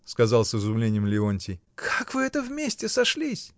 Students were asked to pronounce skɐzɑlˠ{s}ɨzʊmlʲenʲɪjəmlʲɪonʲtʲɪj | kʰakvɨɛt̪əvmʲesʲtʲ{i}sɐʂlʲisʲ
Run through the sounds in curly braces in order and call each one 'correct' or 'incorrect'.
correct, incorrect: ɪ

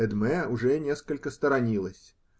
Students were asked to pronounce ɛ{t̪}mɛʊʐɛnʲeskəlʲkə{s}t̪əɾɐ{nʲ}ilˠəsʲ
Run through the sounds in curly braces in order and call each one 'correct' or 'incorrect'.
incorrect: d̪, correct, correct

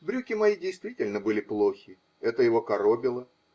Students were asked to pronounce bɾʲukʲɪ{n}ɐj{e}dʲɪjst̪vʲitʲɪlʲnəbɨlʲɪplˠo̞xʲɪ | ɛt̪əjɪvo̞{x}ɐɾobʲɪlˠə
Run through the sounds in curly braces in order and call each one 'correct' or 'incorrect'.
incorrect: m, incorrect: i, incorrect: k

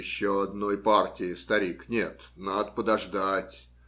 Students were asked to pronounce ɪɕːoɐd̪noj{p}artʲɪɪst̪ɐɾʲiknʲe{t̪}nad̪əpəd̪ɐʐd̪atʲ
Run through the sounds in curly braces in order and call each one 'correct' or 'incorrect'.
correct, correct

